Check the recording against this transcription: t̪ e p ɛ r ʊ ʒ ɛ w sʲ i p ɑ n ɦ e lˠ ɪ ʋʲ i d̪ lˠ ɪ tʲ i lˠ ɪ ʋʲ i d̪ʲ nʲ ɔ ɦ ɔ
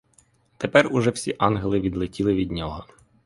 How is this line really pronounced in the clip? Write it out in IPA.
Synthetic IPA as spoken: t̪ e p ɛ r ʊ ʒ ɛ w sʲ i ʔ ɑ n ɦ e lˠ ɪ ʋʲ i d̪ lˠ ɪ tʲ i lˠ ɪ ʋʲ i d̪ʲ nʲ ɔ ɦ ɔ